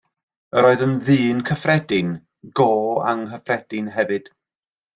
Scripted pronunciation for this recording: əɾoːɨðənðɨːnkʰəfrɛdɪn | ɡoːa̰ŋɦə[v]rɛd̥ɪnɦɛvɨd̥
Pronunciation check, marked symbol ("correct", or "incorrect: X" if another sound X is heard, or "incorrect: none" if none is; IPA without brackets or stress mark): incorrect: f